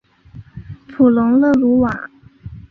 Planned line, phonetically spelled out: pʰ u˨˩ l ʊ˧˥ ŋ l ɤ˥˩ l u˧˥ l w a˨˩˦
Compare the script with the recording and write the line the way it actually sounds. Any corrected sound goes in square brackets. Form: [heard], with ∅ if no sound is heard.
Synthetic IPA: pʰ u˨˩ l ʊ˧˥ ŋ l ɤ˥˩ l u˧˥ [∅] w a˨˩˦